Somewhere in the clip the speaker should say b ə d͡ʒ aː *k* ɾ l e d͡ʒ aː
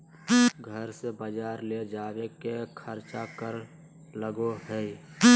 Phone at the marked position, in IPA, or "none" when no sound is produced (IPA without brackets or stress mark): none